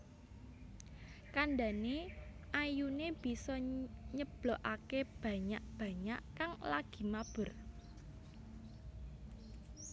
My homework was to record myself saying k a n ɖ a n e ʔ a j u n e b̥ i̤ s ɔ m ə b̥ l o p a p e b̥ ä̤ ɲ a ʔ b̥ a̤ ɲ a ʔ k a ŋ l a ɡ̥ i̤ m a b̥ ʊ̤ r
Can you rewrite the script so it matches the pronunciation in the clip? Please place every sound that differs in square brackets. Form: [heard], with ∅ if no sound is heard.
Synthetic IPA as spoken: k a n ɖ a n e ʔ a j u n e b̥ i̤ s ɔ [ɲ] ə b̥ l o [ʔ] a [k] e b̥ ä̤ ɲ a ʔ b̥ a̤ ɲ a ʔ k a ŋ l a ɡ̥ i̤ m a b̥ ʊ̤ r